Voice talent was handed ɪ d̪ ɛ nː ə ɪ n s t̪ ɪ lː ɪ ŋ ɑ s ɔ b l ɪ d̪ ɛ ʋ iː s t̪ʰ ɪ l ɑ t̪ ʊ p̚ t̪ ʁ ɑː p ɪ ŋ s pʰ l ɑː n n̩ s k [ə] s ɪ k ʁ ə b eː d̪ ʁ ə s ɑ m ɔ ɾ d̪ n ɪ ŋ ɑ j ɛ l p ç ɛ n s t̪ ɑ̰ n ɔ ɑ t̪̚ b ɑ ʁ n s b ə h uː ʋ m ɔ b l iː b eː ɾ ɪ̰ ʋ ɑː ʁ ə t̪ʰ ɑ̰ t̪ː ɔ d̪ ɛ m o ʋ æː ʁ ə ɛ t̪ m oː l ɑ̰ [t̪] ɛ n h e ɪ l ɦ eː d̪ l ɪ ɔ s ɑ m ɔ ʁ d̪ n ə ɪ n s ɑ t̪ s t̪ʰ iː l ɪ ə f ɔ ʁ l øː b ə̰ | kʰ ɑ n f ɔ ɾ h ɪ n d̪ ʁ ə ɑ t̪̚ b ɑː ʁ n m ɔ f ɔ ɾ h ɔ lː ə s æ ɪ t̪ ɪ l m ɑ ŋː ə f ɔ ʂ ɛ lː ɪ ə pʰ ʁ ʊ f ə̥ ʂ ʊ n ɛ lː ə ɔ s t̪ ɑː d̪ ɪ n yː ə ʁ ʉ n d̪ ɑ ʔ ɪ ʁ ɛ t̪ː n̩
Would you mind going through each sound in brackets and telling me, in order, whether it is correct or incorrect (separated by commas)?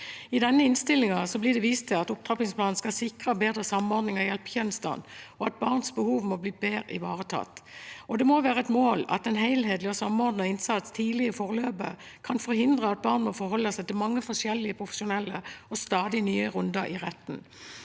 incorrect, correct